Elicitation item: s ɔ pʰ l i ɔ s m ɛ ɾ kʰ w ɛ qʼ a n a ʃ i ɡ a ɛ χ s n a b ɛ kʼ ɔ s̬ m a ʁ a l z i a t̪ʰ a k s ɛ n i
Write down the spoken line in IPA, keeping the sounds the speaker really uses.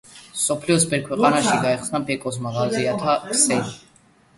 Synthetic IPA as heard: s ɔ pʰ l i ɔ s b ɛ ɾ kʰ w ɛ qʼ a n a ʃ i ɡ a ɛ χ s n a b ɛ kʼ ɔ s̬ m a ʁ a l z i a t̪ʰ a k s ɛ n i